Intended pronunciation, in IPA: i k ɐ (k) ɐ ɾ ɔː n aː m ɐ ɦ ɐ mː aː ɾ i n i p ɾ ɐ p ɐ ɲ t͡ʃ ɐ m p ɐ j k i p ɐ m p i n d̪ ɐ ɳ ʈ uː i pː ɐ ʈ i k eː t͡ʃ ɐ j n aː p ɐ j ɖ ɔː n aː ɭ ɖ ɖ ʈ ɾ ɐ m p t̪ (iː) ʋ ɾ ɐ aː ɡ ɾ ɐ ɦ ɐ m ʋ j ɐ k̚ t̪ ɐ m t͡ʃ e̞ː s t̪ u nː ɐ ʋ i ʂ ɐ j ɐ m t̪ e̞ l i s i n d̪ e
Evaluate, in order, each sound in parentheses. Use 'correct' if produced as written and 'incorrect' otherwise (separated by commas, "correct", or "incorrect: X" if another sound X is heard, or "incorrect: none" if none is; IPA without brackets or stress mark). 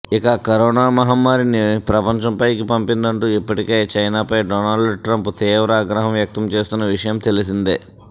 correct, correct